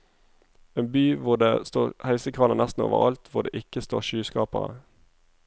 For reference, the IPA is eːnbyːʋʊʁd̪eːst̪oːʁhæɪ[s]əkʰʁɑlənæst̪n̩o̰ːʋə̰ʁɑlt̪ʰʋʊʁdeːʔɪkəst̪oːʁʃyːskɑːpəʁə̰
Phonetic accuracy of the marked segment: correct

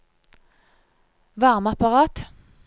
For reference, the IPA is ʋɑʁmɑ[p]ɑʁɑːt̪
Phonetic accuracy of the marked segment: correct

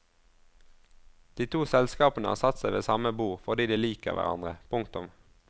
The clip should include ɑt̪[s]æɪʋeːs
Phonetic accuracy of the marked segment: correct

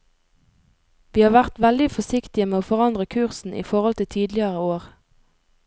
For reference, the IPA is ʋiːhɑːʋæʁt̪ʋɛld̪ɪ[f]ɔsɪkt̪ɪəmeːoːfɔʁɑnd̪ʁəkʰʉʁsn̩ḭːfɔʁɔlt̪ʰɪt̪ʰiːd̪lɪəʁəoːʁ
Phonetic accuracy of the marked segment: correct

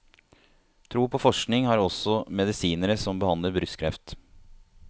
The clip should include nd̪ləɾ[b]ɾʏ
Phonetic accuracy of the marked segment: correct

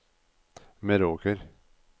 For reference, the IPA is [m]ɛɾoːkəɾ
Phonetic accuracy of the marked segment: correct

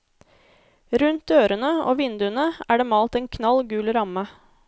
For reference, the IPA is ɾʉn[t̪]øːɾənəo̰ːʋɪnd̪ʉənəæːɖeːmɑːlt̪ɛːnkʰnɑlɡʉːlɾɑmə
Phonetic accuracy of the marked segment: correct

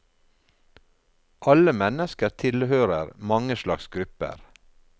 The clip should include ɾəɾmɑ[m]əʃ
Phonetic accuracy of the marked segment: incorrect: ŋ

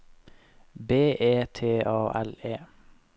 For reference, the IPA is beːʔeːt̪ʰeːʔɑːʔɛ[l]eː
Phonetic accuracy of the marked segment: correct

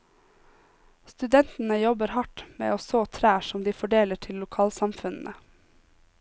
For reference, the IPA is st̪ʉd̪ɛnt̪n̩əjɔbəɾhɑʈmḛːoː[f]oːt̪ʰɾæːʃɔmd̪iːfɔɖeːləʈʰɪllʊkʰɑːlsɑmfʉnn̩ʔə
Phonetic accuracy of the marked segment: incorrect: s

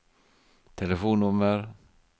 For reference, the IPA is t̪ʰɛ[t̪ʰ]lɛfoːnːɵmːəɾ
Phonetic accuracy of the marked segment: incorrect: none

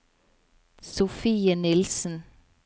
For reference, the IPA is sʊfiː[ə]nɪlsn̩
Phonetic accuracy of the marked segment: correct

